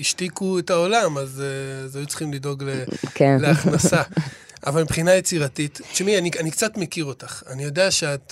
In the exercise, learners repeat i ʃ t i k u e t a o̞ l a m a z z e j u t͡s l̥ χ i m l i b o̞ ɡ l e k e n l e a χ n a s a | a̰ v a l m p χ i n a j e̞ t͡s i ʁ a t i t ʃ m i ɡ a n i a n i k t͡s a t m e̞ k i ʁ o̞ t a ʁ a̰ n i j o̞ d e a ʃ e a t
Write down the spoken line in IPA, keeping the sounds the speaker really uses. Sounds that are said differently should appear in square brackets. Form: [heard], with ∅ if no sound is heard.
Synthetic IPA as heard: i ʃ t i k u e t a o̞ l a m a z z [a] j u t͡s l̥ χ i m l i [d] o̞ ɡ l e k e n l e a χ n a s a | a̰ v a l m p χ i n a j e̞ t͡s i ʁ a t i t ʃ m i [∅] a n i a n i k t͡s a t m e̞ k i ʁ o̞ t a [χ] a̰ n i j o̞ d e a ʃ e a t